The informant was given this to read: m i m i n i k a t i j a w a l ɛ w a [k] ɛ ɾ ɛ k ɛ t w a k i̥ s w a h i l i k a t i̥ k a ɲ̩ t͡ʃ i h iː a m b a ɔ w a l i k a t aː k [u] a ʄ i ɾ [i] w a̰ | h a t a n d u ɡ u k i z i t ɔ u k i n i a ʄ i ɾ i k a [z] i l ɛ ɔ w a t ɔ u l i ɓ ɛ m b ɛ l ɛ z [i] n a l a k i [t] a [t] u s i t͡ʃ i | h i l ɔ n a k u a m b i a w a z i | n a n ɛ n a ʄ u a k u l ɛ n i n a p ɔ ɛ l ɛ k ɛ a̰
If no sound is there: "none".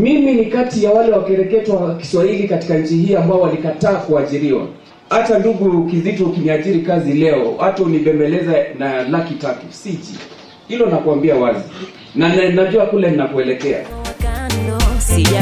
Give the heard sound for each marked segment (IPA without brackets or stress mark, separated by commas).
k, u, i, z, a, t, t